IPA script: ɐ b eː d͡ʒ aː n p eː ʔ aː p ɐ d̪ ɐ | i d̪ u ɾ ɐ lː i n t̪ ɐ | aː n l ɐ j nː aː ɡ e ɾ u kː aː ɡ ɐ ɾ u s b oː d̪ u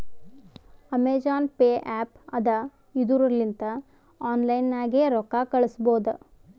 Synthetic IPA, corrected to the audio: ɐ m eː d͡ʒ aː n p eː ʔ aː p ɐ d̪ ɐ | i d̪ u ɾ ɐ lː i n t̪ ɐ | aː n l ɐ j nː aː ɡ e ɾ ɔ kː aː k ɐ ɭ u s b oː d̪ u